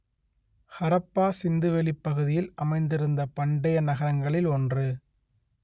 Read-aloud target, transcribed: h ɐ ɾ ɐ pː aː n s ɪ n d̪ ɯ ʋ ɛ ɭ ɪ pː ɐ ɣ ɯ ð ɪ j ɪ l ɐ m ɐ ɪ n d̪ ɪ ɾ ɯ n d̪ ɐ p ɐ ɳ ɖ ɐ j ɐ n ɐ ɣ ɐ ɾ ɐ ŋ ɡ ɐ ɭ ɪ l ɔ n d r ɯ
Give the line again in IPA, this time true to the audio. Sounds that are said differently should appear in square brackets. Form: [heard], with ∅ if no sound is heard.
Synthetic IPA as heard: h ɐ ɾ ɐ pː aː [∅] s ɪ n d̪ ɯ ʋ ɛ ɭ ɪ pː ɐ ɣ ɯ ð ɪ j ɪ l ɐ m ɐ ɪ n d̪ ɪ ɾ ɯ n d̪ ɐ p ɐ ɳ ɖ ɐ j ɐ n ɐ ɣ ɐ ɾ ɐ ŋ ɡ ɐ ɭ ɪ l ɔ n d r ɯ

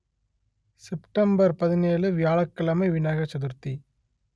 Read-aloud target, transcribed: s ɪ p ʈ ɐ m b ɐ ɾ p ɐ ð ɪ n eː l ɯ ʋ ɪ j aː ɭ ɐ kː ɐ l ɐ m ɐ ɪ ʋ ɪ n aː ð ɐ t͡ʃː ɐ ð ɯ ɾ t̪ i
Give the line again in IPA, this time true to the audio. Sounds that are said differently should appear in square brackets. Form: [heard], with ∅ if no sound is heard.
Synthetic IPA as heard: s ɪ p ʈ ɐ m b ɐ ɾ p ɐ ð ɪ n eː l ɯ ʋ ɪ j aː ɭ ɐ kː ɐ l ɐ m ɐ ɪ ʋ ɪ n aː [ɣ] ɐ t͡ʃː ɐ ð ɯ ɾ t̪ i

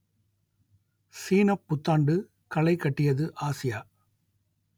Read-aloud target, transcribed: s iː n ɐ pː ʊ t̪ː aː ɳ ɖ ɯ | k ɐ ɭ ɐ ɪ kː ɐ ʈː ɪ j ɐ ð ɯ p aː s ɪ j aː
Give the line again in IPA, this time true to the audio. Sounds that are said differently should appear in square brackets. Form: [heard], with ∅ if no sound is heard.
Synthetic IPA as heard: s iː n ɐ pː ʊ t̪ː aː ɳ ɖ ɯ | k ɐ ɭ ɐ ɪ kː ɐ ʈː ɪ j ɐ ð ɯ [ʔ] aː s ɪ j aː

